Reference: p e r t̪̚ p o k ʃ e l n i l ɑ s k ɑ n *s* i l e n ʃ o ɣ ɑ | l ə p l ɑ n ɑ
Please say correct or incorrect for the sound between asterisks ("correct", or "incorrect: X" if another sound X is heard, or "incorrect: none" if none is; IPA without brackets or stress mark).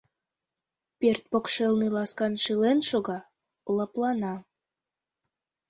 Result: incorrect: ʃ